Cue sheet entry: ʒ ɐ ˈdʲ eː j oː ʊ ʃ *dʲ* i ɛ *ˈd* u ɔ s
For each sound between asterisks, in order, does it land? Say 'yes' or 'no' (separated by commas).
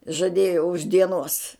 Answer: yes, no